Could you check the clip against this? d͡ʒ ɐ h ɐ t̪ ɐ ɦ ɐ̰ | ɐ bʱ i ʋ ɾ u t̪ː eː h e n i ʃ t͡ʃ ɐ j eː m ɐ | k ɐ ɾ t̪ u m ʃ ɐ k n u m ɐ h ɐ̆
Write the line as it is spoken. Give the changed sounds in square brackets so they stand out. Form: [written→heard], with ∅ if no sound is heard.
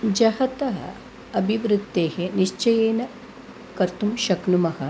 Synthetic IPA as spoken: d͡ʒ ɐ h ɐ t̪ ɐ ɦ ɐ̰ | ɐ bʱ i ʋ ɾ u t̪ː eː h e n i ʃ t͡ʃ ɐ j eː [m→n] ɐ | k ɐ ɾ t̪ u m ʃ ɐ k n u m ɐ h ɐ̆